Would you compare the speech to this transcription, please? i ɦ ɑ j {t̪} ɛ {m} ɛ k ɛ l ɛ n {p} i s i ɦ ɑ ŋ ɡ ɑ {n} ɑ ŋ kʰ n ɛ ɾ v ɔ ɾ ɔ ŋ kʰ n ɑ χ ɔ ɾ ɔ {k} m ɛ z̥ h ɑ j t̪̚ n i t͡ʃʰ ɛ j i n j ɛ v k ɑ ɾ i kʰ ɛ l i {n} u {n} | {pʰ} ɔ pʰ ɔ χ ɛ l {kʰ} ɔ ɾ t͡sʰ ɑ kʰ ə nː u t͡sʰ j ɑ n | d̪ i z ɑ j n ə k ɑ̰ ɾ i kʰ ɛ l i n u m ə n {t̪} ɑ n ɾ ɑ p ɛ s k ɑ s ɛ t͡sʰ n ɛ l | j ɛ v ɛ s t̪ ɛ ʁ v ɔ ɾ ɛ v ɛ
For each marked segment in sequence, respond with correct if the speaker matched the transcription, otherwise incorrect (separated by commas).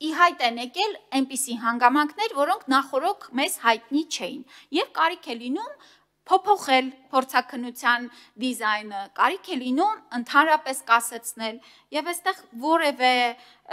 correct, incorrect, correct, incorrect, incorrect, correct, incorrect, correct, incorrect, incorrect